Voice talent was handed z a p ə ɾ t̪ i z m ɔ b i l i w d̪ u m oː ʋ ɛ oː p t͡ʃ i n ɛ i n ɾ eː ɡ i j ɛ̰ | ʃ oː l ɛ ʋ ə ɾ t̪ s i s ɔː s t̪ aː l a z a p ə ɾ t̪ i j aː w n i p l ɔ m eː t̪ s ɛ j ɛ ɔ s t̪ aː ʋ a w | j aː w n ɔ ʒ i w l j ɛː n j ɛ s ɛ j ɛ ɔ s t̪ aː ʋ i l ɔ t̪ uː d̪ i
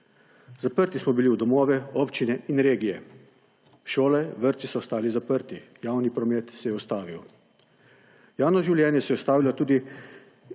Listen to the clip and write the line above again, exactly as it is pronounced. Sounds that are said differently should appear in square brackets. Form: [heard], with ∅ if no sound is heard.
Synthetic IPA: z a p ə ɾ t̪ i [s] m ɔ b i l i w d̪ [ɔ] m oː ʋ ɛ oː p t͡ʃ i n ɛ i n ɾ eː ɡ i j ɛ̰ | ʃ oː l ɛ ʋ ə ɾ t̪ s i s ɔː s t̪ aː l [i] z a p ə ɾ t̪ i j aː w n i p [ɾ] ɔ m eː t̪ s ɛ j ɛ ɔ s t̪ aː ʋ [i] w | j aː w n ɔ ʒ i w l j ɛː n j ɛ s ɛ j ɛ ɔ s t̪ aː ʋ i l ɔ t̪ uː d̪ i